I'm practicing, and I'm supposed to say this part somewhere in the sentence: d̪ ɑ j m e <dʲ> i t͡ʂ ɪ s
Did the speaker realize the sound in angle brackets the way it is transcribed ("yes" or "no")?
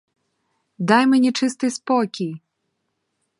no